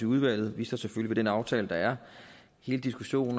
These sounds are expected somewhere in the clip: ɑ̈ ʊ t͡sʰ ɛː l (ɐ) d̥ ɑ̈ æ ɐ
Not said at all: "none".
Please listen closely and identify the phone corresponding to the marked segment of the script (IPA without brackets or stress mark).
ə